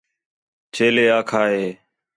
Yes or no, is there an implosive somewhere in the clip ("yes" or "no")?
no